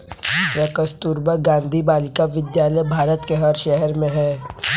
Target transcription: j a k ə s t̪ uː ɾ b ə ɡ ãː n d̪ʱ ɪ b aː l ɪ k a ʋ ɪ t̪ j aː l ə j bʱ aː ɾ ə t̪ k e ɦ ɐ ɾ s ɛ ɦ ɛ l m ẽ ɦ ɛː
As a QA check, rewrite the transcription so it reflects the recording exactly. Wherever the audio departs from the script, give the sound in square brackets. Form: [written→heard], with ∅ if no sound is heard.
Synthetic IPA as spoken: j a k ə s t̪ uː ɾ b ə ɡ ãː n d̪ʱ [ɪ→i] b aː l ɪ k a ʋ ɪ [t̪→d̪] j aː l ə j bʱ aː ɾ ə t̪ k e ɦ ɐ ɾ [s→ʃ] ɛ ɦ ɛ [l→ɾ] m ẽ ɦ ɛː